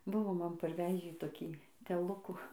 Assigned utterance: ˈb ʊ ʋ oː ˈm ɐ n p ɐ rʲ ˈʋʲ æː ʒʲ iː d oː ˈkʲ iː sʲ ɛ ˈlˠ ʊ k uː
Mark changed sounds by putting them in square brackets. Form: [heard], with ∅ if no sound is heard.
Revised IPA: ˈb ʊ ʋ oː ˈm ɐ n p ɐ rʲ ˈʋʲ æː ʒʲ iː [t] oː ˈkʲ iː [tʲ] ɛ ˈlˠ ʊ k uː